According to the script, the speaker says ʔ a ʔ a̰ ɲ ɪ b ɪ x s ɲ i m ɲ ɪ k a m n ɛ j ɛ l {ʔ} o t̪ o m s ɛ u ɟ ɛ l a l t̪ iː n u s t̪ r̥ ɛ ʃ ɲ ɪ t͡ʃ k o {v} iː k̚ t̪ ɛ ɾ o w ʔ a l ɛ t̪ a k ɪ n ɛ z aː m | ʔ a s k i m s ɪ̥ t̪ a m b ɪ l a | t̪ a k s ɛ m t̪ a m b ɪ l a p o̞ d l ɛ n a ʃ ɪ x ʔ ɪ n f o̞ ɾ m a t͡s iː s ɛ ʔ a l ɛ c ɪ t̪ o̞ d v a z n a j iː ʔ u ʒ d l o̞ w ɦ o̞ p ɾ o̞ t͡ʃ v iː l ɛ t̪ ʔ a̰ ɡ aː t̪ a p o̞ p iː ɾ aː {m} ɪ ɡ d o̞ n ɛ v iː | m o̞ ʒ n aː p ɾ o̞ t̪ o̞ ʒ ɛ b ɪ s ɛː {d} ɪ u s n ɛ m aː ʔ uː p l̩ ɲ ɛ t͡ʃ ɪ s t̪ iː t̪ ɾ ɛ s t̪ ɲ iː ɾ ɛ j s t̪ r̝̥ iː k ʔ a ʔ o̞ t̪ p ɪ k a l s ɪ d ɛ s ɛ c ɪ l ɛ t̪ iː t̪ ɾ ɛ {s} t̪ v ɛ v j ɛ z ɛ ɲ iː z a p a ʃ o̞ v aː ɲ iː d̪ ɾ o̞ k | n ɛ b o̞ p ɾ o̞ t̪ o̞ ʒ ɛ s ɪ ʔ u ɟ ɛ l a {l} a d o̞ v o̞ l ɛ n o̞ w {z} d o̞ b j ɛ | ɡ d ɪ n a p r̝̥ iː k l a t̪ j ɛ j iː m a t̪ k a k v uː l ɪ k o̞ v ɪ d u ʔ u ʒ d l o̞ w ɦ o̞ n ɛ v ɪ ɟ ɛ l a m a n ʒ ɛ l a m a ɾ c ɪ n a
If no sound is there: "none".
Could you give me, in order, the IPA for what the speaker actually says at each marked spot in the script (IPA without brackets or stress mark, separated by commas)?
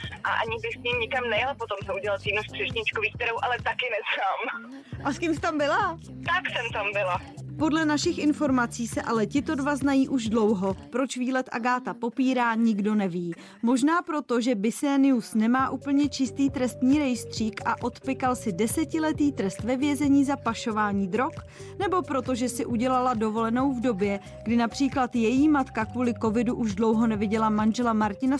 p, v, ɲ, n, s, l, v